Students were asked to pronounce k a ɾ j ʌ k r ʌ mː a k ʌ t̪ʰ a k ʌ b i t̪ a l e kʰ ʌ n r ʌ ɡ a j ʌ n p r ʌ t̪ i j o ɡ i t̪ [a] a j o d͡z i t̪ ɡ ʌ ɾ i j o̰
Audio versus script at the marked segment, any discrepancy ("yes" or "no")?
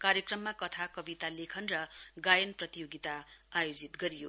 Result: no